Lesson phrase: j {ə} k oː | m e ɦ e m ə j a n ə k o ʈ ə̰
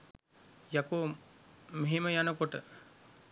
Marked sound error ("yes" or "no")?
yes